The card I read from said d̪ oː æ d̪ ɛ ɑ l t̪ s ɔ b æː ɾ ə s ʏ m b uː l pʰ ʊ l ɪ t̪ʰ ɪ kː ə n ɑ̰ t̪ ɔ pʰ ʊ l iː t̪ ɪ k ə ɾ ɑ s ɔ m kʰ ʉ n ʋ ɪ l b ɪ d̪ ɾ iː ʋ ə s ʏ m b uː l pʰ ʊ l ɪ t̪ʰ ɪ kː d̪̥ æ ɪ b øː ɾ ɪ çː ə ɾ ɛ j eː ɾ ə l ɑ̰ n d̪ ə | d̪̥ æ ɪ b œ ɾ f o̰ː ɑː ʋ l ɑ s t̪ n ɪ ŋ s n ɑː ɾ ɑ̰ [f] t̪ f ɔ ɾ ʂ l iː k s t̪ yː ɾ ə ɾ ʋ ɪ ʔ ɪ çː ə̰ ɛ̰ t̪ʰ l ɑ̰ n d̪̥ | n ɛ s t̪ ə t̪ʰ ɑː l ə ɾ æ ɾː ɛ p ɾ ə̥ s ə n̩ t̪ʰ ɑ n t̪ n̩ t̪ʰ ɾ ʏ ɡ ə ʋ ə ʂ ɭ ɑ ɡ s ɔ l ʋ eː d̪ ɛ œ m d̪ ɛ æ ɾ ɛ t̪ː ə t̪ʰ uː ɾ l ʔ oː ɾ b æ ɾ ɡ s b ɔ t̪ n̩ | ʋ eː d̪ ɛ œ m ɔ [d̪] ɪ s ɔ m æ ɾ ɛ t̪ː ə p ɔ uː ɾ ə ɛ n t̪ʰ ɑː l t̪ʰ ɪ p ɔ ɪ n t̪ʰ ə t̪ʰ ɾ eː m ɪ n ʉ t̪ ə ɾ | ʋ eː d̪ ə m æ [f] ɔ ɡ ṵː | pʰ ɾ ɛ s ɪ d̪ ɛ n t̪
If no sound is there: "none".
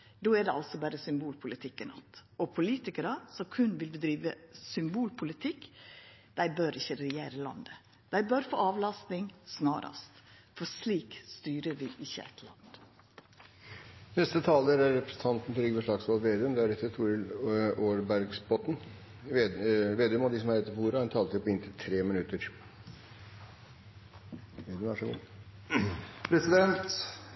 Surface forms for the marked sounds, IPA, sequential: s, d̪, ʂ

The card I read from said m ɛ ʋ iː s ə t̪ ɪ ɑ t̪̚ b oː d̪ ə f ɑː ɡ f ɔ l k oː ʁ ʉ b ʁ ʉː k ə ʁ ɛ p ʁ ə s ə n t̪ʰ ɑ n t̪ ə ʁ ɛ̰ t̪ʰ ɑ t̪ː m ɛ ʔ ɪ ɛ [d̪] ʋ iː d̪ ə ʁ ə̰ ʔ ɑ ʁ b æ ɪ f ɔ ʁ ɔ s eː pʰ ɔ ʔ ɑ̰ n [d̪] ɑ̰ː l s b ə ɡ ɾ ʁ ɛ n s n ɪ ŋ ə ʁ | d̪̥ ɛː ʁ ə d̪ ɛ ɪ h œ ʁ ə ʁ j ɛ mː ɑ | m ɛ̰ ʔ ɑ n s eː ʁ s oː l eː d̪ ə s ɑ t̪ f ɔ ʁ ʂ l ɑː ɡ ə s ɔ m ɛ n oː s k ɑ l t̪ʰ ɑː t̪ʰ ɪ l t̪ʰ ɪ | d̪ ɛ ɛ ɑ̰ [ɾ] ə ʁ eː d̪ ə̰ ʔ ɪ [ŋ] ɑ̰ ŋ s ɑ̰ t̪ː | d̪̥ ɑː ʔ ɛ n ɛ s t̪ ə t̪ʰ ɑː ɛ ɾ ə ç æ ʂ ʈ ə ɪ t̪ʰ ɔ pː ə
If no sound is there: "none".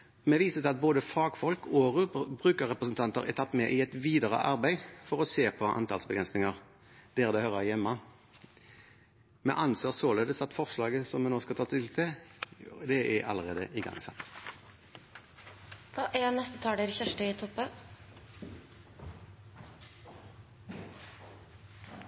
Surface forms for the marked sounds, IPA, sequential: t̪, t̪, l, ɡ

